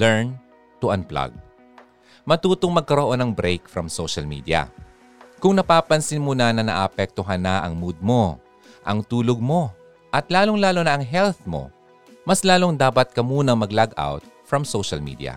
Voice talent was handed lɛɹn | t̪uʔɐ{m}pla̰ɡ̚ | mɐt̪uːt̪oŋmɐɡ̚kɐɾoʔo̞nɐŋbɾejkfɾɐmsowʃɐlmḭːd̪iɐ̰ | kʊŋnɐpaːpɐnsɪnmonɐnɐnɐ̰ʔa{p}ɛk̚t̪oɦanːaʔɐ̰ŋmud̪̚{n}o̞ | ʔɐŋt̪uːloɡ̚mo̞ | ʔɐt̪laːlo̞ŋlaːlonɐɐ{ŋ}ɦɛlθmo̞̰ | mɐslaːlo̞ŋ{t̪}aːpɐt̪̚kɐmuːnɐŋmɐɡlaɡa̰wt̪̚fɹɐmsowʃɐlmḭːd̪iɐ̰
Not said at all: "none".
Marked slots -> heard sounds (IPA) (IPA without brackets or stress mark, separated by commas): n, p, m, ŋ, d̪